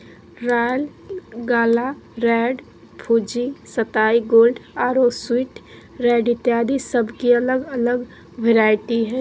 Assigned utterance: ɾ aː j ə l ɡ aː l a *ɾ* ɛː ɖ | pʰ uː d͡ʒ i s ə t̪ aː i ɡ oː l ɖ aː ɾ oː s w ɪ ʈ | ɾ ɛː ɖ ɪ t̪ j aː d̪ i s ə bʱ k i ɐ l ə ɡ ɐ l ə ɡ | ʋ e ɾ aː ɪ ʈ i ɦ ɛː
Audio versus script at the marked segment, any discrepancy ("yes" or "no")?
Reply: no